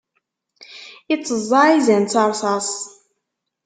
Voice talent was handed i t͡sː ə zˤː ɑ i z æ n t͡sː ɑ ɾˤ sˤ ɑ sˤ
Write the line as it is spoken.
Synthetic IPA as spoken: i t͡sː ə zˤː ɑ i z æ n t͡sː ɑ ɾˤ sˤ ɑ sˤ